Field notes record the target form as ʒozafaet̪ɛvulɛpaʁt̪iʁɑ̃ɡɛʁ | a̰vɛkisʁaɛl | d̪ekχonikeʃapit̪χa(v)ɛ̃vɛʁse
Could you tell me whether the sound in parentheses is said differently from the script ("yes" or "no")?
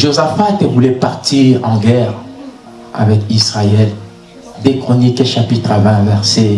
no